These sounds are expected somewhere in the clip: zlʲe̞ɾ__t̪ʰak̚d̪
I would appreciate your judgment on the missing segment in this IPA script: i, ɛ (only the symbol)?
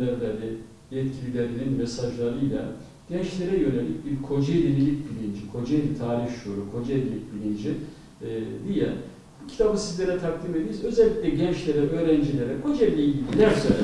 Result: ɛ